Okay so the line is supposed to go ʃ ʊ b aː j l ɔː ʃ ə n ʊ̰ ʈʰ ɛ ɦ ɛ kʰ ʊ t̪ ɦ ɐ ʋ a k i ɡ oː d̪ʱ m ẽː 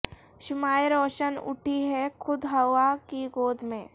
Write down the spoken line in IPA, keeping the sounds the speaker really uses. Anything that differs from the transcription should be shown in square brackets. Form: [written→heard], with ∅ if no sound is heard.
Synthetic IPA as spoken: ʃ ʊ [b→m] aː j [l→ɾ] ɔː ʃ ə n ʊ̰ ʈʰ [ɛ→i] ɦ ɛ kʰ ʊ [t̪→d̪] ɦ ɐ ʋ a k i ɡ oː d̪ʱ m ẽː